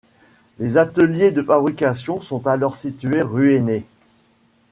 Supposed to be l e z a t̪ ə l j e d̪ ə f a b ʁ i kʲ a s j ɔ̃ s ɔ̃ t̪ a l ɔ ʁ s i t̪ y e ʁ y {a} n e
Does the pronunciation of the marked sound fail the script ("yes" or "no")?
yes